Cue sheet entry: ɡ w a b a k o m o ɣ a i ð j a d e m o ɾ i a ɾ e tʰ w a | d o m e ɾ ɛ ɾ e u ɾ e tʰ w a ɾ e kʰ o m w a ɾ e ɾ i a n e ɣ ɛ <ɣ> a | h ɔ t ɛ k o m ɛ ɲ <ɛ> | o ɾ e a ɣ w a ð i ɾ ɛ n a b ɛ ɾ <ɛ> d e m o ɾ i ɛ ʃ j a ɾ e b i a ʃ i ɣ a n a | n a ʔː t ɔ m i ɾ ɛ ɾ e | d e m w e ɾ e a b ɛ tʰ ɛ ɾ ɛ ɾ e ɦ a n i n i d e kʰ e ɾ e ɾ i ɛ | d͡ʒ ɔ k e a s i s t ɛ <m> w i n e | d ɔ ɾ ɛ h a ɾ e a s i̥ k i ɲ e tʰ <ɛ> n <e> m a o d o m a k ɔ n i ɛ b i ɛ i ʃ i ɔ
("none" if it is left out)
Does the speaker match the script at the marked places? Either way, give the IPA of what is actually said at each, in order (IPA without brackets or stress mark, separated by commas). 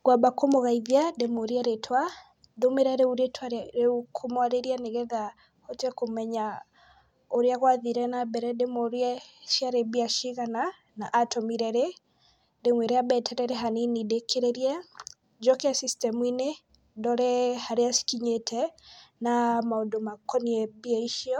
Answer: ð, a, ɛ, m, ɛ, a